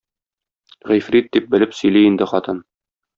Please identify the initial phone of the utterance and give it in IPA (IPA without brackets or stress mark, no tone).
ʁ